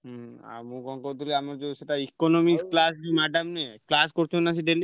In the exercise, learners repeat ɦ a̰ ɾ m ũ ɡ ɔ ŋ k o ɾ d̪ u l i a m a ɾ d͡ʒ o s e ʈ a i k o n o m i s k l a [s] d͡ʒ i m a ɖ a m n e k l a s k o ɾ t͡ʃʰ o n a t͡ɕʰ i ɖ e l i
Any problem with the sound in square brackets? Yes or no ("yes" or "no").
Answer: no